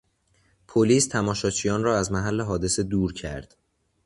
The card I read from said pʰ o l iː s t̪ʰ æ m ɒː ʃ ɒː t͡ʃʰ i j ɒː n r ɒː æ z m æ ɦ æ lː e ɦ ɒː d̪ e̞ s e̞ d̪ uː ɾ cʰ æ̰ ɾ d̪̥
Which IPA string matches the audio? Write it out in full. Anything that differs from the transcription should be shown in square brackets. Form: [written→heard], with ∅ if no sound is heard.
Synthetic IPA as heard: pʰ o l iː s t̪ʰ æ m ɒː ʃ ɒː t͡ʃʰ i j ɒː n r ɒː æ z m æ ɦ æ lː e ɦ ɒː d̪ e̞ s e̞ d̪ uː ɾ cʰ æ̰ ɾ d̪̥